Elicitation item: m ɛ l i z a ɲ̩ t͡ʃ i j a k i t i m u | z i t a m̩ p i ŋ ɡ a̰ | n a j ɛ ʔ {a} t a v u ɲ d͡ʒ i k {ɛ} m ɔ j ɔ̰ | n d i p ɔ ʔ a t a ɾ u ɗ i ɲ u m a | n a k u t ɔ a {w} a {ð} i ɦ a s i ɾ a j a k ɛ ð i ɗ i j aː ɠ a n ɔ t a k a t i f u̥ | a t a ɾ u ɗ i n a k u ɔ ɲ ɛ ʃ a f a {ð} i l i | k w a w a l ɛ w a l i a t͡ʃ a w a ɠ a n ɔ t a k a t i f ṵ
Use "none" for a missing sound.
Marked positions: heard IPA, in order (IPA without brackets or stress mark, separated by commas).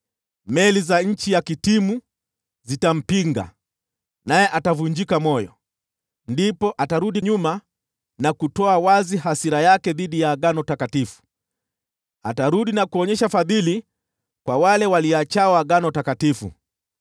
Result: a, a, w, z, ð